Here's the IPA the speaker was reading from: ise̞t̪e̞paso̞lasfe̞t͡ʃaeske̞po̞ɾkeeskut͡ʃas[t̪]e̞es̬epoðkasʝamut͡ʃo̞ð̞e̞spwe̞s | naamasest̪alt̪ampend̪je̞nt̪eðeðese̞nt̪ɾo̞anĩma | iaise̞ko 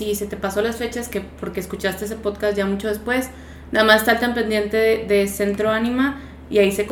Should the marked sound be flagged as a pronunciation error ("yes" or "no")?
no